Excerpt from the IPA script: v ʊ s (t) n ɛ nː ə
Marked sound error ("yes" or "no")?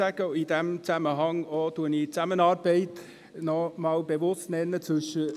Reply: no